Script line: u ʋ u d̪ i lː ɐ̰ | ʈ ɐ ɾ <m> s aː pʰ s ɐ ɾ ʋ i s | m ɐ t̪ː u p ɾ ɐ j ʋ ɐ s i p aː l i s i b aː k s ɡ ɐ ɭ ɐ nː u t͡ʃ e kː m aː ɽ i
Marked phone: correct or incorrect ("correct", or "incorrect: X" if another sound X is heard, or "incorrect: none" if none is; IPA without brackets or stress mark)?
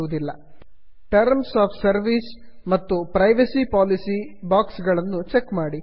correct